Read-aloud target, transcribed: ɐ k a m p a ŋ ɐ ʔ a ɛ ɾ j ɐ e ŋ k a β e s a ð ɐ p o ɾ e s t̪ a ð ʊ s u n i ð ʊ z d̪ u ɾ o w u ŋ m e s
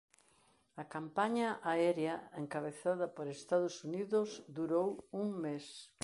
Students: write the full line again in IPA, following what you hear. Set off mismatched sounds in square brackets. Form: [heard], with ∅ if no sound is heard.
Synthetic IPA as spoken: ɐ k a m p a [ɲ] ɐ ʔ a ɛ ɾ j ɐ e ŋ k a β e [θ] a ð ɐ p o ɾ e s t̪ a ð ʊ s u n i ð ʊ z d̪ u ɾ o w u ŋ m e s